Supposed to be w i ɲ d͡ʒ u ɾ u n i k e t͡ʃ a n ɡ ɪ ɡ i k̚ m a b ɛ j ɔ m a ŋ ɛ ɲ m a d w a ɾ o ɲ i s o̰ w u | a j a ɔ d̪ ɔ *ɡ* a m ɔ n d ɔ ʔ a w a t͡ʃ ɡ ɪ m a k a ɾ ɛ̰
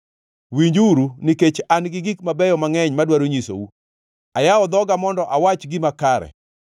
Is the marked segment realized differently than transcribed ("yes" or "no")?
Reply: no